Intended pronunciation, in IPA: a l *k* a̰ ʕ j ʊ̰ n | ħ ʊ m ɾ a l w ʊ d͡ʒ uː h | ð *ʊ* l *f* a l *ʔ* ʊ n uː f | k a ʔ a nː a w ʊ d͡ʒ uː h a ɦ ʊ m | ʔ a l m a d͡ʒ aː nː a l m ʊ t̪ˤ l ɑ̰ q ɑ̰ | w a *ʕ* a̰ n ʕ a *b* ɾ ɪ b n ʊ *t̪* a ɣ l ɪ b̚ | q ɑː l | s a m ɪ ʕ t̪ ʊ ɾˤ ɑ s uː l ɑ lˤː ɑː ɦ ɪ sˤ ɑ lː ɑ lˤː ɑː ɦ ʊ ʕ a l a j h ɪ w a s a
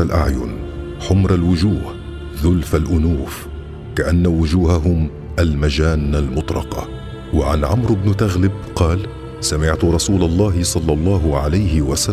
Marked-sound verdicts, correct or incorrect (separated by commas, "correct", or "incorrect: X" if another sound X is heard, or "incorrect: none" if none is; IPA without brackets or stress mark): incorrect: ʔ, correct, correct, correct, correct, incorrect: m, correct